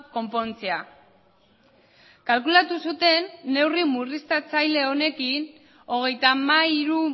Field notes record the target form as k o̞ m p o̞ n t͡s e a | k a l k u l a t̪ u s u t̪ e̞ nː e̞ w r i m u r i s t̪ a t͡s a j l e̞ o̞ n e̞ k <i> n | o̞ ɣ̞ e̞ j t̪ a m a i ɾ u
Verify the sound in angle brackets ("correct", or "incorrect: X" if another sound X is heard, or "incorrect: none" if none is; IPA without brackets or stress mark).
correct